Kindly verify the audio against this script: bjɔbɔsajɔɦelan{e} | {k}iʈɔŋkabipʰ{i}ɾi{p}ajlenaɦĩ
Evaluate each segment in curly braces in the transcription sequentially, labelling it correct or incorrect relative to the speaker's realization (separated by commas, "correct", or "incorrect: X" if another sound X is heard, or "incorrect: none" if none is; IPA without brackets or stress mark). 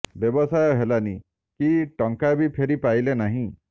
incorrect: i, correct, incorrect: e, correct